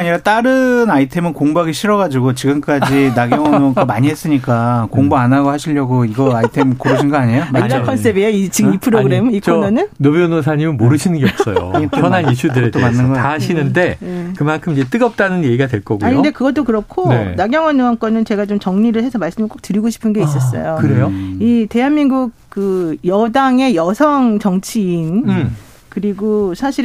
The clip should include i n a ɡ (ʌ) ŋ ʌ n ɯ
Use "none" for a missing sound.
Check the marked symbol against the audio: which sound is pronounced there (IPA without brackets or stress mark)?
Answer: ʌ